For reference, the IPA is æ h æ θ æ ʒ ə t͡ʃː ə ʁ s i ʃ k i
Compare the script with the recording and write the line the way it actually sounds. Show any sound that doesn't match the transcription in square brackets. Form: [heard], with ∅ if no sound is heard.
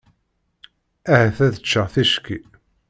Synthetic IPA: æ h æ θ æ [ð] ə t͡ʃː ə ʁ [θ] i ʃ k i